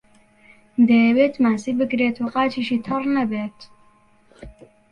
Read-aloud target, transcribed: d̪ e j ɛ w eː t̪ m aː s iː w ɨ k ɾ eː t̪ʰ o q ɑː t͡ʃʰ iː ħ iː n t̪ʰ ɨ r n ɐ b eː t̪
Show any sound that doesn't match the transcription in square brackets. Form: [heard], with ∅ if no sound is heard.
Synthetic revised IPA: d̪ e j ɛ w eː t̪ m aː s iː [b] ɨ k ɾ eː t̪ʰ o q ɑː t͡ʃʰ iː [ʃ] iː [∅] t̪ʰ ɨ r n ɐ b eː t̪